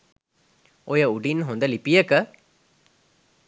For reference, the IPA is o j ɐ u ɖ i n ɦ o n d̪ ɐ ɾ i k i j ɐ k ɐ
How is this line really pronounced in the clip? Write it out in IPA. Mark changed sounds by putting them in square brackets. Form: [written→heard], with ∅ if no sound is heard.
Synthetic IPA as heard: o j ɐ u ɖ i n ɦ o n d̪ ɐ [ɾ→l] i [k→p] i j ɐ k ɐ